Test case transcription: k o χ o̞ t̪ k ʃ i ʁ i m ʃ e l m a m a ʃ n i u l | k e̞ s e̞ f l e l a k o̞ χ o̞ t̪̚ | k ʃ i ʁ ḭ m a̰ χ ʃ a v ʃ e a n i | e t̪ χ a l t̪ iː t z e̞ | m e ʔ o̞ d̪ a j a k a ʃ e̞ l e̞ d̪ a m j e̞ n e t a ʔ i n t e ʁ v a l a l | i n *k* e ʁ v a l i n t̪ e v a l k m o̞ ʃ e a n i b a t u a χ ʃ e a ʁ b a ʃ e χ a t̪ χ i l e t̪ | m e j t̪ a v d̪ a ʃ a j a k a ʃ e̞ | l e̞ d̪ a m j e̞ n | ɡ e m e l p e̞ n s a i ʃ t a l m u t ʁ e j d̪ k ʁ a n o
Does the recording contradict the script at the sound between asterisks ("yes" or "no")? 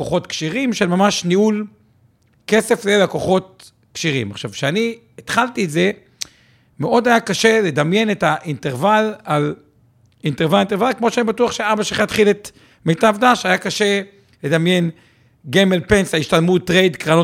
yes